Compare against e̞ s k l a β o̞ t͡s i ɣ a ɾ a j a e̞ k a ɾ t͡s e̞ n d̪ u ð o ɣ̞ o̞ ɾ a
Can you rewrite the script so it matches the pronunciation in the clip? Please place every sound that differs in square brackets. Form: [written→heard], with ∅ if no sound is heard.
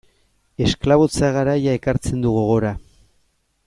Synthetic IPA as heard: e̞ s k l a β o̞ t͡s [i→a] ɣ a ɾ a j a e̞ k a ɾ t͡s e̞ n d̪ u [ð→ɣ] o ɣ̞ o̞ ɾ a